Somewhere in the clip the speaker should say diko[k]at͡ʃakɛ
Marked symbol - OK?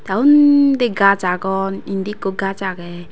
no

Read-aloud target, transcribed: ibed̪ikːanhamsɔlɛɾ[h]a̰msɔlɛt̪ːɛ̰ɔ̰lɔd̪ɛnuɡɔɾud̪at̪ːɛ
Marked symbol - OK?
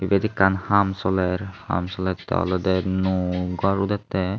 yes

